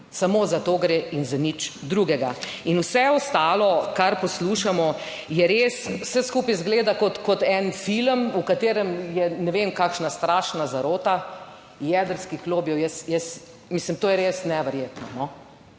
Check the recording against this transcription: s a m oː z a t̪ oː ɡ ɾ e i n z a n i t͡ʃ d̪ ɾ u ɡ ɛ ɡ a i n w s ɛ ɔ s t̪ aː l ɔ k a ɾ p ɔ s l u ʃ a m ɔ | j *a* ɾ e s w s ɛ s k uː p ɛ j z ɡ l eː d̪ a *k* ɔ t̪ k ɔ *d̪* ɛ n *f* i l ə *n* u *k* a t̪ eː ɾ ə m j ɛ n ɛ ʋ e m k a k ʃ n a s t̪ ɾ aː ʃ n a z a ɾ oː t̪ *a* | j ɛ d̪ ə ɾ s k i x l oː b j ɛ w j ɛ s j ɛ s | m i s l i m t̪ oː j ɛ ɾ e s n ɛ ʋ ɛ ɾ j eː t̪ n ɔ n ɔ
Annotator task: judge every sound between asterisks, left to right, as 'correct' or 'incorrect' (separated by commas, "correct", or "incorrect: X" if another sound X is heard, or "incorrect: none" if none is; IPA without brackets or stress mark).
incorrect: ɛ, correct, incorrect: t̪, correct, incorrect: m, correct, correct